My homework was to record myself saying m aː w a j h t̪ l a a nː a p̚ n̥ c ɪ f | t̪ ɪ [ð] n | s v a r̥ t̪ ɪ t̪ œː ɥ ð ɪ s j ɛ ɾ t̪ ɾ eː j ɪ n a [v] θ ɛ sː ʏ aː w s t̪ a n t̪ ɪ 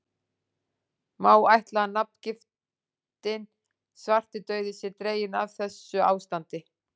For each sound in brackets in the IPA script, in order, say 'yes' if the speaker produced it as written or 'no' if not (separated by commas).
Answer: no, yes